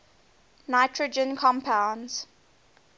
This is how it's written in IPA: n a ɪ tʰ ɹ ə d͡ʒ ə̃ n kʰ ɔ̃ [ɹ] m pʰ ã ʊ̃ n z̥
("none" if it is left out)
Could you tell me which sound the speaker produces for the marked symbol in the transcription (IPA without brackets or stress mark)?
none